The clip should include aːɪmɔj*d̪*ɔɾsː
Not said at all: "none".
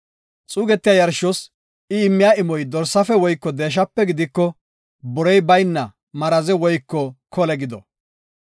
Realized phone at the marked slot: d̪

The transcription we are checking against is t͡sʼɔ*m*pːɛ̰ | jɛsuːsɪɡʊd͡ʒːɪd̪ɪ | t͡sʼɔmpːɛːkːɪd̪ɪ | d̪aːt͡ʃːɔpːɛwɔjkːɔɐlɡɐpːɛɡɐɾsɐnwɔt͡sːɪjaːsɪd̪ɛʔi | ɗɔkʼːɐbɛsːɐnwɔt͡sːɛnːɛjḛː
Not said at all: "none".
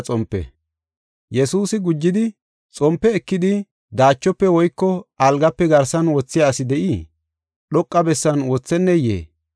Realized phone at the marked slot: m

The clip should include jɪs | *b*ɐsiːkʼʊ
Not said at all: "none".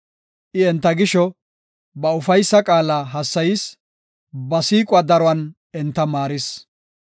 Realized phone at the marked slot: b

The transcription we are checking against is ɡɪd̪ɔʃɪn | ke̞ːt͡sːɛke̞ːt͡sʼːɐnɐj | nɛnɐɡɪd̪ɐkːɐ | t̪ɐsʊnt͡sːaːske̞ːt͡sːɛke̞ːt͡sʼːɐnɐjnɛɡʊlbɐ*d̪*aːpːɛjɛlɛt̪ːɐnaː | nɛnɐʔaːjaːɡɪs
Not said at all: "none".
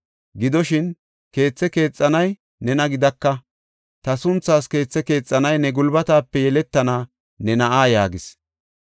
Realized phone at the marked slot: t̪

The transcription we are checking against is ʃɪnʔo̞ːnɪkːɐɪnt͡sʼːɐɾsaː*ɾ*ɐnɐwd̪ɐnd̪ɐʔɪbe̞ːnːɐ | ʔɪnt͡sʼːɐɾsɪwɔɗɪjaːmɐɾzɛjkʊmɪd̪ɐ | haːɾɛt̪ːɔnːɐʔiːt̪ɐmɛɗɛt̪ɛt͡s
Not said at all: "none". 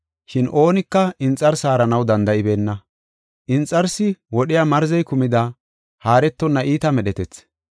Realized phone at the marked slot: ɾ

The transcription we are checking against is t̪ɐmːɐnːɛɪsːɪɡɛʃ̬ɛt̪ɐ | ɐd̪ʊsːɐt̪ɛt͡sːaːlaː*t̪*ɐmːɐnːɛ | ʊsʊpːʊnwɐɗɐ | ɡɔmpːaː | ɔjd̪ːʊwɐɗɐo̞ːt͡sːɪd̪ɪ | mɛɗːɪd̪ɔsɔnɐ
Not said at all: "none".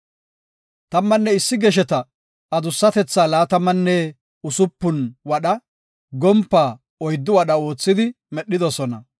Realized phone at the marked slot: t̪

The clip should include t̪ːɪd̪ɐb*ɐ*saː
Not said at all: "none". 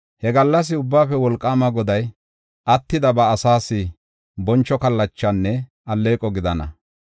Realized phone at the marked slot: ɐː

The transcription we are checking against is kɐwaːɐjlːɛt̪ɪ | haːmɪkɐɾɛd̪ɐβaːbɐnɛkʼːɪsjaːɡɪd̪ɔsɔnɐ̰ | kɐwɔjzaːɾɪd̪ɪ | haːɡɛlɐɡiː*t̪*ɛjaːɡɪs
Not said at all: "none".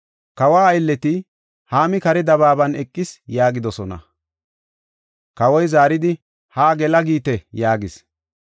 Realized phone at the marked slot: t̪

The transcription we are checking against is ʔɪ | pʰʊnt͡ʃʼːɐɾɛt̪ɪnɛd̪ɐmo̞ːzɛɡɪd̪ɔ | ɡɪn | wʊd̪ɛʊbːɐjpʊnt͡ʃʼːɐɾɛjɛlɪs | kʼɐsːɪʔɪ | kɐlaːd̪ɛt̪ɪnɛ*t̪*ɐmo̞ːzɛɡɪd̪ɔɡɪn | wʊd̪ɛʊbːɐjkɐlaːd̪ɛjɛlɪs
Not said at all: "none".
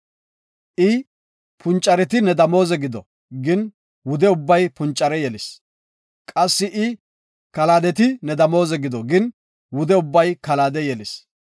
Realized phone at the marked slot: d̪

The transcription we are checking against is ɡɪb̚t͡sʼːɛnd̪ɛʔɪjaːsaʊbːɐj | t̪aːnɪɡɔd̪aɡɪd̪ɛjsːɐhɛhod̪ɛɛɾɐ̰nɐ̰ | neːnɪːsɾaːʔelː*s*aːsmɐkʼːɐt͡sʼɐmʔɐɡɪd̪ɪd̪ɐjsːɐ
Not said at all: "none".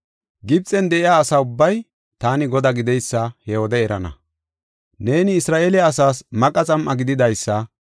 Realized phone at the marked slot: s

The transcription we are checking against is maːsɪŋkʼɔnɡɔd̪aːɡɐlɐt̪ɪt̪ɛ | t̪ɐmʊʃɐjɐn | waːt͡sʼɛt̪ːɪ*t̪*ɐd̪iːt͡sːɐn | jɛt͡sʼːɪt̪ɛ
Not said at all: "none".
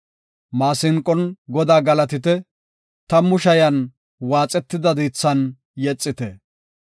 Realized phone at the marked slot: d̪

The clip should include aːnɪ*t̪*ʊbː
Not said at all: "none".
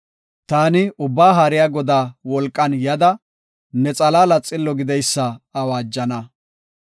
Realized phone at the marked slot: none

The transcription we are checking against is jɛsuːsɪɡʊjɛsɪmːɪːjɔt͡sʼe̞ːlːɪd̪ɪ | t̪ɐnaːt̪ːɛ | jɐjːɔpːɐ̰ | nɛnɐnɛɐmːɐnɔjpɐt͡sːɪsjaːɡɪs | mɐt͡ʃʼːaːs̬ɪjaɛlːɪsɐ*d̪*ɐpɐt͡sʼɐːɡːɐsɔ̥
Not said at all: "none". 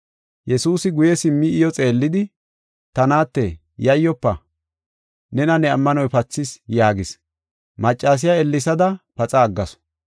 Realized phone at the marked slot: d̪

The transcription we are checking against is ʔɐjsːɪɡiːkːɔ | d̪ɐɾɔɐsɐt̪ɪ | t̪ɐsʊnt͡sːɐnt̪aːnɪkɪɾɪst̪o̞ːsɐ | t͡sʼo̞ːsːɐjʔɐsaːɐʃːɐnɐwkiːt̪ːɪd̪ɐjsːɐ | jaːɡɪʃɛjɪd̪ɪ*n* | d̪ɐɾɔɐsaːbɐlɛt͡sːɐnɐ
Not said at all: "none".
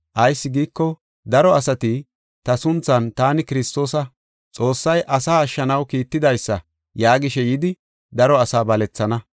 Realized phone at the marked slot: none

